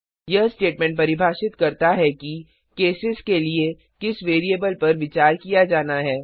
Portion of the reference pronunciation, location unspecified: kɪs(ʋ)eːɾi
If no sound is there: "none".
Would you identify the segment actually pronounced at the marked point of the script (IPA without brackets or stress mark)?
ʋ